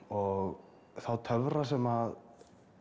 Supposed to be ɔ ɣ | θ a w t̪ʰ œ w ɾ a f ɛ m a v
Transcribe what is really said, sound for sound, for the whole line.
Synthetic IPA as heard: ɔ ɣ | θ a w t̪ʰ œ v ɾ a s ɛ m a ð